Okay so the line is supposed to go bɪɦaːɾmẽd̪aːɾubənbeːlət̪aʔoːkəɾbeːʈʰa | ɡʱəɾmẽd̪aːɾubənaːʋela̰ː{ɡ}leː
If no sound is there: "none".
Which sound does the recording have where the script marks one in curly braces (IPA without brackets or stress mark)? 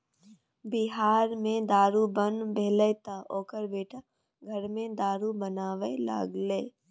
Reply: ɡ